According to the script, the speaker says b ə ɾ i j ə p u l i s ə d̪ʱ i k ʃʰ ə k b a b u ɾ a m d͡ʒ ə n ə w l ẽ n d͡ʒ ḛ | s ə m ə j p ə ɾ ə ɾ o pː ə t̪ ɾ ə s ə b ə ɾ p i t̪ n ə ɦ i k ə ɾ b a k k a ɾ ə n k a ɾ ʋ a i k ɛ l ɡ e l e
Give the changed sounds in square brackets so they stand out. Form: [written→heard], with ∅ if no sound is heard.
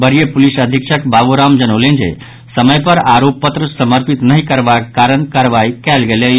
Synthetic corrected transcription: b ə ɾ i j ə p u l i s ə d̪ʱ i k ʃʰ ə k b a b u ɾ a m d͡ʒ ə n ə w l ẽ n d͡ʒ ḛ | s ə m ə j p ə ɾ [ə→a] ɾ o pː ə t̪ ɾ ə s ə [b→m] ə ɾ p i t̪ n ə ɦ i k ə ɾ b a k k a ɾ ə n k a ɾ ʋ a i k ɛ l ɡ e l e